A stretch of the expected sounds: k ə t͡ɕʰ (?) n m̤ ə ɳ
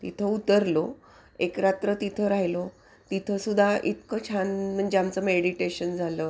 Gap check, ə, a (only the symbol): a